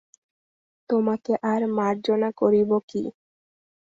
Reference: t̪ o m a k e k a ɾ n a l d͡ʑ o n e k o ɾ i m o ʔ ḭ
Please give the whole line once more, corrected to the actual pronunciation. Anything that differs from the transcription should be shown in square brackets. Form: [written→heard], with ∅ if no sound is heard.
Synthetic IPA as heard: t̪ o m a k e [k→ʔ] a ɾ [n→m] a [l→ɾ] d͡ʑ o n [e→a] k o ɾ i [m→b] o [ʔ→k] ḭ